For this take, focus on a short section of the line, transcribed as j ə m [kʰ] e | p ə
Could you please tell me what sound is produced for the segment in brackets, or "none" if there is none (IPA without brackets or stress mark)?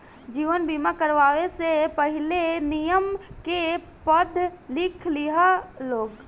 k